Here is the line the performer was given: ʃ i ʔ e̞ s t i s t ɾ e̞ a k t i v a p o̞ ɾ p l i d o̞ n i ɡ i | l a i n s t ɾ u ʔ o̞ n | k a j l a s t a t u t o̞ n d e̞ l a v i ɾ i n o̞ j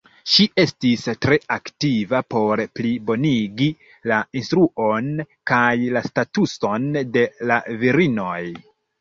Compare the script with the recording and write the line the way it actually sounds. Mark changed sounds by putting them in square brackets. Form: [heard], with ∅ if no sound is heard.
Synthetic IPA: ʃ i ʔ e̞ s t i s t ɾ e̞ a k t i v a p o̞ ɾ p l i [b] o̞ n i ɡ i | l a i n s t ɾ u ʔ o̞ n | k a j l a s t a t u [s] o̞ n d e̞ l a v i ɾ i n o̞ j